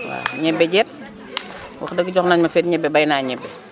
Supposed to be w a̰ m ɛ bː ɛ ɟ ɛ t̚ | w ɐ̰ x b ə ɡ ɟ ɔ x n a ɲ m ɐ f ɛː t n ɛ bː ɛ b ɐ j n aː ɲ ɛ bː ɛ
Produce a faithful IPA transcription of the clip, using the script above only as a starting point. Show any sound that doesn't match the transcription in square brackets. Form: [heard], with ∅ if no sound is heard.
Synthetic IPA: w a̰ [ɲ] ɛ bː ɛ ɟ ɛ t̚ | w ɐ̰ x [d] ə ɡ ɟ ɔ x n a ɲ m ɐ f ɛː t [ɲ] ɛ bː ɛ b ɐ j n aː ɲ ɛ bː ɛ